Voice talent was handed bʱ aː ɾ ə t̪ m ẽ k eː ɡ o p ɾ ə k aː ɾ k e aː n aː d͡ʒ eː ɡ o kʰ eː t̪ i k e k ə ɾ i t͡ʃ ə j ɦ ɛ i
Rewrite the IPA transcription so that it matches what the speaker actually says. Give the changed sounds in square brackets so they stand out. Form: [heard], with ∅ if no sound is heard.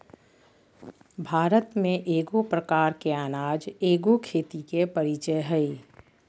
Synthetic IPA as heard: bʱ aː ɾ ə t̪ m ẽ [ʔ] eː ɡ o p ɾ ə k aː ɾ k e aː n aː d͡ʒ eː ɡ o kʰ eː t̪ i k e [p] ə ɾ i t͡ʃ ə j ɦ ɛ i